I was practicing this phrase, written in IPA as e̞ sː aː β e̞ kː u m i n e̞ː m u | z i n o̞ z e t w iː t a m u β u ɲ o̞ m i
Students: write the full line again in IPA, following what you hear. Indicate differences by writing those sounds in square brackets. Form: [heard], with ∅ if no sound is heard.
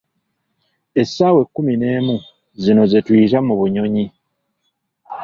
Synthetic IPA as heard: e̞ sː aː [w] e̞ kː u m i n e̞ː m u | z i n o̞ z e t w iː t a m u β u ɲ o̞ [ɲ] i